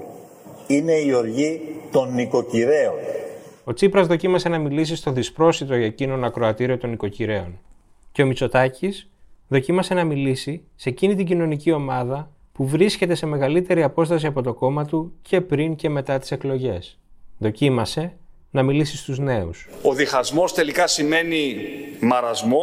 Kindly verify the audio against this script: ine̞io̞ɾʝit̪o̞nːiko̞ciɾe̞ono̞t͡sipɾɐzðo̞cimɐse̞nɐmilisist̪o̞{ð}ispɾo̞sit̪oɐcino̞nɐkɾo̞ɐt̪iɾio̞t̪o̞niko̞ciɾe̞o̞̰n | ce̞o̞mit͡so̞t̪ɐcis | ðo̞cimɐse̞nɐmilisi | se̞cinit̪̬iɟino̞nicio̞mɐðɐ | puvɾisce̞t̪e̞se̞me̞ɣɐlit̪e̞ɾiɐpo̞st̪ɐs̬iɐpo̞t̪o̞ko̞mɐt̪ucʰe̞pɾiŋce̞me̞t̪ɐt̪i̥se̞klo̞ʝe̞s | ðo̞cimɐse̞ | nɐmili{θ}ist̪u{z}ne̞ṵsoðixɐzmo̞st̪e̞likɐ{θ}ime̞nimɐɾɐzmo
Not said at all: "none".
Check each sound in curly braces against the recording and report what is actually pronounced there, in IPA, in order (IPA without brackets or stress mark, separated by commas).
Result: ð, s, z, s